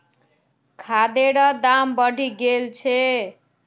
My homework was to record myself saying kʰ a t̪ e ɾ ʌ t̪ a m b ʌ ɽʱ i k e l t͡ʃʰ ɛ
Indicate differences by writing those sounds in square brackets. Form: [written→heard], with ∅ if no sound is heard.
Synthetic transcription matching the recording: kʰ a [t̪→d̪] e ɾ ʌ [t̪→d̪] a m b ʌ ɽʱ i [k→ɡ] e l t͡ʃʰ [ɛ→e]